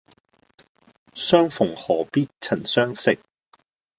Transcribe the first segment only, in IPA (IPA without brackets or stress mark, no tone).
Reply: s